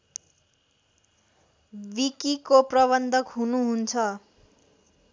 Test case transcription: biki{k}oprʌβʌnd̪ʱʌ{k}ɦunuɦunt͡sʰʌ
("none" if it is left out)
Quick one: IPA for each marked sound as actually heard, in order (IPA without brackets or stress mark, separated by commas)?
k, k